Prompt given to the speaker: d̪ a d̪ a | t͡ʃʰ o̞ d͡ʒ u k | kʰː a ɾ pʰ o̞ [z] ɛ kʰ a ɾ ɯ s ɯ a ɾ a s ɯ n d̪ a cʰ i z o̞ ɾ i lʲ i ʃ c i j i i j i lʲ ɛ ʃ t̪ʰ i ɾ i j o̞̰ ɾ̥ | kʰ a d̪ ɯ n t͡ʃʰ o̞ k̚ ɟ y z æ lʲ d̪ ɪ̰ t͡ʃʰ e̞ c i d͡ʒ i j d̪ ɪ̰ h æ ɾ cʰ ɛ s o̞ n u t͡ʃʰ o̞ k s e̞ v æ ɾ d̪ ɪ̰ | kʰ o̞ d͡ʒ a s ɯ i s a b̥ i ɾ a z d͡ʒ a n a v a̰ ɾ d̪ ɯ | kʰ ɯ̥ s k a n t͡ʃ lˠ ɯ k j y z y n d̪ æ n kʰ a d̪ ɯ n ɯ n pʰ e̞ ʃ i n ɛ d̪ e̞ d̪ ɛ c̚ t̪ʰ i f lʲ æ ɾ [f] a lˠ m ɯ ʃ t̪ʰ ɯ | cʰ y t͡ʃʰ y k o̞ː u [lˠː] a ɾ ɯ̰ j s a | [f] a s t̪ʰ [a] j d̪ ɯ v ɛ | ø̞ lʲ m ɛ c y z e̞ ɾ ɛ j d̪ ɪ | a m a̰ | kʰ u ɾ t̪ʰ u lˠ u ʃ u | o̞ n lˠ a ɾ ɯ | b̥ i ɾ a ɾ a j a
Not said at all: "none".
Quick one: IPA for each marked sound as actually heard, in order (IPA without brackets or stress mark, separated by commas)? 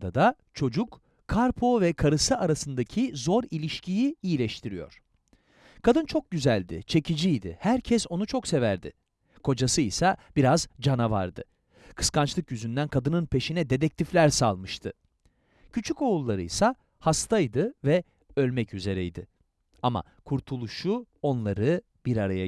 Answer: v, s, lˠː, h, a